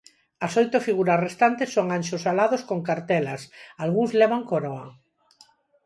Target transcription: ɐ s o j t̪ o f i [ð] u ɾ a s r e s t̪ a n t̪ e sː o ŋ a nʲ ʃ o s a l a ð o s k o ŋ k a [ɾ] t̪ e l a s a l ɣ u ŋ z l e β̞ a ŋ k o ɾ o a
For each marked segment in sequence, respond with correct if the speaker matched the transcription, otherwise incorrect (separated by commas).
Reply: incorrect, correct